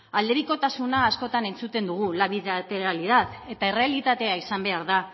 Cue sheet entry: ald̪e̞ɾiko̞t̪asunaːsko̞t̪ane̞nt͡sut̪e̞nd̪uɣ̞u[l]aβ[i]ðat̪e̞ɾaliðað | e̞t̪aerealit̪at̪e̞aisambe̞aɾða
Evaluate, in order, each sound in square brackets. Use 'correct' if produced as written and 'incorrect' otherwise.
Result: correct, correct

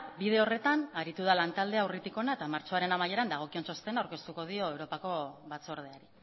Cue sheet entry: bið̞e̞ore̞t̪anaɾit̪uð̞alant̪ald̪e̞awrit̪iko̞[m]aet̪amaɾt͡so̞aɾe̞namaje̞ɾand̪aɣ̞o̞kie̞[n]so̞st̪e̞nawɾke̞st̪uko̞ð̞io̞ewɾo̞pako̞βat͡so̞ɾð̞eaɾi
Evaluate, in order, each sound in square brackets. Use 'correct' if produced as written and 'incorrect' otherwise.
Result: incorrect, correct

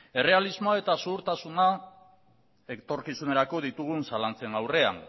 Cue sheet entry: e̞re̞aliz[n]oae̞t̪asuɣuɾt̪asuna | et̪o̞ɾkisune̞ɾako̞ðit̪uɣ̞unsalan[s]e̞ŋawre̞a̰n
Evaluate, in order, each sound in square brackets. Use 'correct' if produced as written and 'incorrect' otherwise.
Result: incorrect, incorrect

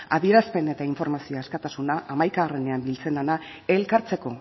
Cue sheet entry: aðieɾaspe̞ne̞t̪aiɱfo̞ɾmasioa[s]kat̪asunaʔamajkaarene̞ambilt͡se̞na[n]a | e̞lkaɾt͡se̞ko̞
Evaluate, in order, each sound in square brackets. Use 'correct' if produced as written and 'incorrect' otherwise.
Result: correct, correct

